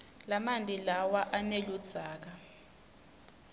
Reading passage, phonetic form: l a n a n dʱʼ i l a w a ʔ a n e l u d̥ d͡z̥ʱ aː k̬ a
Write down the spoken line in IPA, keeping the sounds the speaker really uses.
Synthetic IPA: l a m a n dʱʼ i l a w a ʔ a n e l u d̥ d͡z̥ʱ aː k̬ a